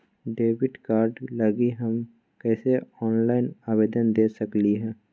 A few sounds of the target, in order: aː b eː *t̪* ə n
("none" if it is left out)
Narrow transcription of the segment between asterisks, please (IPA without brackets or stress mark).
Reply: d̪